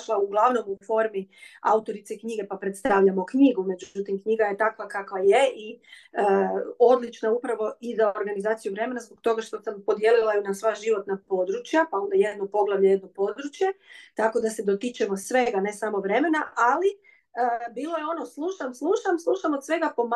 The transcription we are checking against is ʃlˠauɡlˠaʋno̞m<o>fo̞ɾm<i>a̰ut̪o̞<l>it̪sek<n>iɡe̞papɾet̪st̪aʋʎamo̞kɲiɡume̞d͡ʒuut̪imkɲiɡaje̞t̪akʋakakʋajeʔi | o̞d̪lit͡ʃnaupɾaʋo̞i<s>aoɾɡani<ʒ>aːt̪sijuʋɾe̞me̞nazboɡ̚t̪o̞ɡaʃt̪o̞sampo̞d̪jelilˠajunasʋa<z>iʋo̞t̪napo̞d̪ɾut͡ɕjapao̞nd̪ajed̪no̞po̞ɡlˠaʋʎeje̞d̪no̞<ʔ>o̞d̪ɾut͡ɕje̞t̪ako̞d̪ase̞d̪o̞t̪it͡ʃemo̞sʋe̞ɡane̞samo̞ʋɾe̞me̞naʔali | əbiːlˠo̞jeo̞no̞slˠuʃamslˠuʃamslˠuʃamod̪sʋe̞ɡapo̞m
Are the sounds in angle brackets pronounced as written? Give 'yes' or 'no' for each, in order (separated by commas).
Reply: no, yes, no, no, no, no, no, no